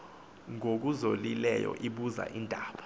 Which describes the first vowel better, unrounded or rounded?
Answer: rounded